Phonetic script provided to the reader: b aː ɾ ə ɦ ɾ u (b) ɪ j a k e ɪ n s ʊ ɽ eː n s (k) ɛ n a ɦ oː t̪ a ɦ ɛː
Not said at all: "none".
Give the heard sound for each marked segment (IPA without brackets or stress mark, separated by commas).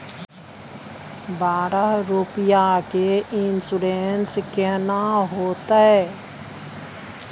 p, k